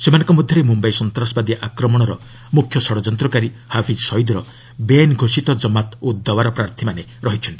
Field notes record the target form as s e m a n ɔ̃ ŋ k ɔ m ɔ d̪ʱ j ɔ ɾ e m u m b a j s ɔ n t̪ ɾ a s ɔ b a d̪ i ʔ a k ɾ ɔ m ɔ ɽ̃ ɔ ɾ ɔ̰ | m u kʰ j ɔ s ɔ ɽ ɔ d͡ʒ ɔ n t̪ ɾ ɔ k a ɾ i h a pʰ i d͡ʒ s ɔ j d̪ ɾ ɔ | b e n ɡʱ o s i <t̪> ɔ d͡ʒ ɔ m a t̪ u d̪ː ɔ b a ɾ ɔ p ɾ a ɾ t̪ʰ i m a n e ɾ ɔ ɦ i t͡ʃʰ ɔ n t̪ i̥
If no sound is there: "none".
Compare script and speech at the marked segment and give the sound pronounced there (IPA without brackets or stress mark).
t̪